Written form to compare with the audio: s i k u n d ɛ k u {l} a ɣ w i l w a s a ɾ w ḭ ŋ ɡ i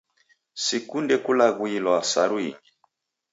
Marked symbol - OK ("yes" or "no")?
yes